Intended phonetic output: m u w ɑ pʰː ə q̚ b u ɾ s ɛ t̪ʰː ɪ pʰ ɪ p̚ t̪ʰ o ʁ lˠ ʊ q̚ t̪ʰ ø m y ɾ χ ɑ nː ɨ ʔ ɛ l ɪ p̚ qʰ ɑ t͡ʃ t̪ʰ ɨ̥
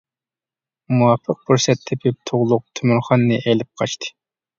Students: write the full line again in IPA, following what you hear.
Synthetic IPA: m u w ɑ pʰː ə q̚ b u ɾ s ɛ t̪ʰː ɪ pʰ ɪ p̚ t̪ʰ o ʁ lˠ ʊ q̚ t̪ʰ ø m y ɾ χ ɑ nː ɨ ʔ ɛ l ɪ p̚ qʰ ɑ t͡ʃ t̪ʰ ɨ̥